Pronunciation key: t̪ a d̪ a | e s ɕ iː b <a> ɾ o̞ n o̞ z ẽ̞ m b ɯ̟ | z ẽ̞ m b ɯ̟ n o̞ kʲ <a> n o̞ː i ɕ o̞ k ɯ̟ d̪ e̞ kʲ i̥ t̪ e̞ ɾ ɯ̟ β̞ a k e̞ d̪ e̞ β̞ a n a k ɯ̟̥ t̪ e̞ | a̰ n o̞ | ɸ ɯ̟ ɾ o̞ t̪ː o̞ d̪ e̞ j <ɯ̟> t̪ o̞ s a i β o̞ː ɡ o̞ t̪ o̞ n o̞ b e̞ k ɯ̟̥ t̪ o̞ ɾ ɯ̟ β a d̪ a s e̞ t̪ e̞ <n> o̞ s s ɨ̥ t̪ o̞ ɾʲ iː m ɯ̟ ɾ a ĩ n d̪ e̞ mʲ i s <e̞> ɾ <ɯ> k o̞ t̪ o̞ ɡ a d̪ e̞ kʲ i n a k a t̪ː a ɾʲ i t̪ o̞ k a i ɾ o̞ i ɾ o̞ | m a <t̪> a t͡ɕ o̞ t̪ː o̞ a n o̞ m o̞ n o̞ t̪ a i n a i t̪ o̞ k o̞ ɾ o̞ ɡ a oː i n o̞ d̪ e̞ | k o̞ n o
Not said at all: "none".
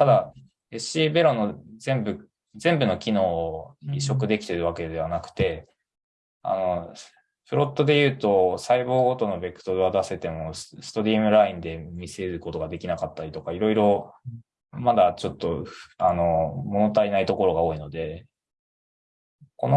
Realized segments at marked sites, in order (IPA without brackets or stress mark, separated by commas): e, i, ɯ̟ː, m, e̞, ɯ, d̪